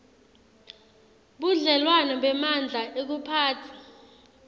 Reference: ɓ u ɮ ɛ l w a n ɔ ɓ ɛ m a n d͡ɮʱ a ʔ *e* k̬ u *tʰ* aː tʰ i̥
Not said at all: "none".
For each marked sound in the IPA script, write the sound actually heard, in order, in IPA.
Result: e, pʰ

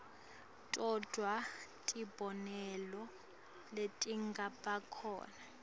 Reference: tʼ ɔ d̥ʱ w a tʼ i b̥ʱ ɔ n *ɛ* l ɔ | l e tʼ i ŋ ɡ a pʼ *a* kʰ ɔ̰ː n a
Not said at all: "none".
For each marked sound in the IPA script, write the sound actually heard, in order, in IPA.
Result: ɛ, a

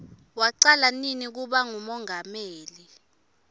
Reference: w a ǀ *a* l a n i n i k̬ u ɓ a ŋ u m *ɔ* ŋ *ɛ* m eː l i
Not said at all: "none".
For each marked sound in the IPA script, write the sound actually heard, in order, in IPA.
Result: a, ɔ, a

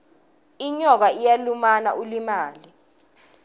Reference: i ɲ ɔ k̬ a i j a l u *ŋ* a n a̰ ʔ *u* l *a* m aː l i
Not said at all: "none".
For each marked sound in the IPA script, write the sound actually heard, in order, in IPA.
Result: m, u, i

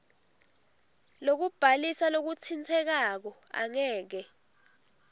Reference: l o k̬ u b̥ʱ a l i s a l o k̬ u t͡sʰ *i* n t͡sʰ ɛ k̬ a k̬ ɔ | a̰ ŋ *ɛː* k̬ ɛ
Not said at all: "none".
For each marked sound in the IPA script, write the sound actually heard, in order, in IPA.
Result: i, ɛː

